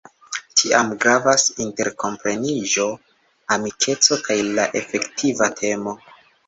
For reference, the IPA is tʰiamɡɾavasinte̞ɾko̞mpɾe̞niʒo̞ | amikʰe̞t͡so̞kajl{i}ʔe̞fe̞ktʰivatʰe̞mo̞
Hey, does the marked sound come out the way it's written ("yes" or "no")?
no